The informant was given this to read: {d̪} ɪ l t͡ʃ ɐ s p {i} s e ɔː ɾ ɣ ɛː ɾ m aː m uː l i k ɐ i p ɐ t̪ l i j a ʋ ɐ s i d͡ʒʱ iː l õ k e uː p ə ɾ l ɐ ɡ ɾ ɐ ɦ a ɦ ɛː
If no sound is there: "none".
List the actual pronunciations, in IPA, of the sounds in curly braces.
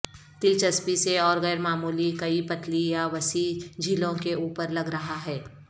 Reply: t̪, i

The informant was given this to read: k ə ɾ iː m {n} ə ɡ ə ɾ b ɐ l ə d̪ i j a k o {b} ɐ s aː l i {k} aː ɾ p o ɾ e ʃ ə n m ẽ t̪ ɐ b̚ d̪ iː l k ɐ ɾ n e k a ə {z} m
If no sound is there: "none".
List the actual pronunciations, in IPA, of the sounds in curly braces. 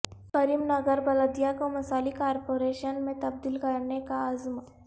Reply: n, m, k, z

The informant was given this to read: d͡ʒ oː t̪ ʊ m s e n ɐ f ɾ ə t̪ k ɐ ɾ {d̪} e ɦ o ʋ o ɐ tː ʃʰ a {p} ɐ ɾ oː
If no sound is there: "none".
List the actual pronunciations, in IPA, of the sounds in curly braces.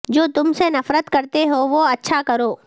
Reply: t̪, k

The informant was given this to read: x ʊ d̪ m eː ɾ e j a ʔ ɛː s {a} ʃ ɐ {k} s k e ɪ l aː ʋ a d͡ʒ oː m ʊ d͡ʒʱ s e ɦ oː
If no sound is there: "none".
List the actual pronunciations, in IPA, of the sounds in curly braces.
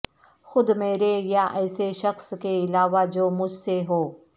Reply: e, x

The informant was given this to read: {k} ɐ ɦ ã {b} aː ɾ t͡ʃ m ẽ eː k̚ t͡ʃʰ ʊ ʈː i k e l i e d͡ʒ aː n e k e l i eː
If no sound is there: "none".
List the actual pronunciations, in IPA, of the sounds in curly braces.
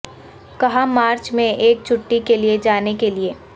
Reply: k, m

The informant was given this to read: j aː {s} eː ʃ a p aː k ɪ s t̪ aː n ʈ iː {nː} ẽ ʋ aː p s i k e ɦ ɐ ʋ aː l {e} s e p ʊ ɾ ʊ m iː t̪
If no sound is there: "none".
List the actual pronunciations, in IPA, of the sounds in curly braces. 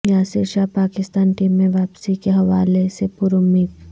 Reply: s, mː, e

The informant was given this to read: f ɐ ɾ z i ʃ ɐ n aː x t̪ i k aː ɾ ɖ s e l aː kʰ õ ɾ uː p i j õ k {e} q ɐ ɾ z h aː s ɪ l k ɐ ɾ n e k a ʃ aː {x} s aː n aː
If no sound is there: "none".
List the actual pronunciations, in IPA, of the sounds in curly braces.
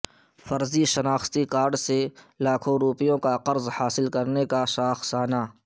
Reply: a, x

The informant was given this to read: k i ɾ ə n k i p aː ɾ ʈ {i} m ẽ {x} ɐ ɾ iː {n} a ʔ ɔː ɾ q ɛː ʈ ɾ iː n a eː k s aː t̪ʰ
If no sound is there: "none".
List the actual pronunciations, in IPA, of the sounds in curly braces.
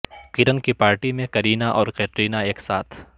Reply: i, k, n

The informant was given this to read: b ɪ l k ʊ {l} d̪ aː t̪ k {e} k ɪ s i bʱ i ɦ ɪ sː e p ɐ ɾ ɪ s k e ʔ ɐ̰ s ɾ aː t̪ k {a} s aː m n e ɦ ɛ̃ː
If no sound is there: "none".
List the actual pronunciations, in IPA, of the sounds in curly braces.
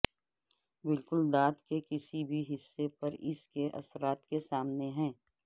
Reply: l, e, e

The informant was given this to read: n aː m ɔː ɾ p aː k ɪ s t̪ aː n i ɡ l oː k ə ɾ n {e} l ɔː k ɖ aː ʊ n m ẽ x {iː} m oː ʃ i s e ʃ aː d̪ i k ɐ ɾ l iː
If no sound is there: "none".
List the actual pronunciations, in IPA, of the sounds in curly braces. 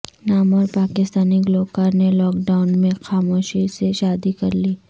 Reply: e, aː

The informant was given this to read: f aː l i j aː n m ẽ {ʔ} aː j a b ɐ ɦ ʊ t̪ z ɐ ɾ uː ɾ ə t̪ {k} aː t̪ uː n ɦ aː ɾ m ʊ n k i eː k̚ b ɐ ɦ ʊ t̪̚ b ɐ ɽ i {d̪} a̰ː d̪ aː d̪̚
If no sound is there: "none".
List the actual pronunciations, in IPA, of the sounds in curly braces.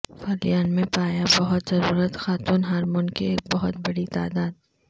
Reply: p, x, t̪

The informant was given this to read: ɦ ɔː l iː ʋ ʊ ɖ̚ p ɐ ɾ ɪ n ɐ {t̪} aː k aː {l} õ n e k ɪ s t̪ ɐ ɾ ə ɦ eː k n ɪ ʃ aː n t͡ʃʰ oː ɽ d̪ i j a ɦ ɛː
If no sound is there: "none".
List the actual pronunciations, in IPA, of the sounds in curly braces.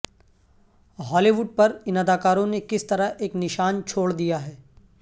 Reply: d̪, ɾ

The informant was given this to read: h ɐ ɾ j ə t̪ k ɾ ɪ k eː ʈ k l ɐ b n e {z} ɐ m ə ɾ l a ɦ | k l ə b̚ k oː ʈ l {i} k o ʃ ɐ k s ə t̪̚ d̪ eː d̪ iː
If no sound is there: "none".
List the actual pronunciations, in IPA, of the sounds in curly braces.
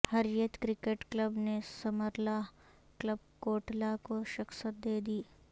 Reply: s, a

